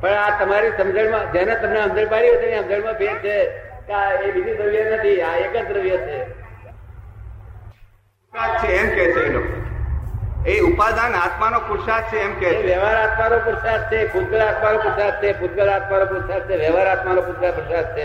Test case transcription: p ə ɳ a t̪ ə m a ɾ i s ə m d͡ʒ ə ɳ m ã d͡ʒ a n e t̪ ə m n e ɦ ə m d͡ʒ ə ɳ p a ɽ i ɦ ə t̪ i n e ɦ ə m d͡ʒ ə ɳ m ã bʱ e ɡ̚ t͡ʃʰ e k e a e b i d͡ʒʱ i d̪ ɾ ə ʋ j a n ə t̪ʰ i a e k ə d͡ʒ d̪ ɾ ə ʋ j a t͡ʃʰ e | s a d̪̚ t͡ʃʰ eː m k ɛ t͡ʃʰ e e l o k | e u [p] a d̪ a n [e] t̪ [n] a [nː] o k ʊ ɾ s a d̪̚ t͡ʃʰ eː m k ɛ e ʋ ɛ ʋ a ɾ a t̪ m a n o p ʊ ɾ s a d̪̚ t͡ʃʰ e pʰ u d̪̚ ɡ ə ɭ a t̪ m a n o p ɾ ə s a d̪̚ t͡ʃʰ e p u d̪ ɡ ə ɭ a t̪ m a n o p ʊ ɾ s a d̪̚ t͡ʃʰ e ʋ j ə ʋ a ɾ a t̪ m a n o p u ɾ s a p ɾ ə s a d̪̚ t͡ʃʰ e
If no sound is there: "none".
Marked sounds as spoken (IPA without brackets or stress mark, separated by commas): p, a, m, n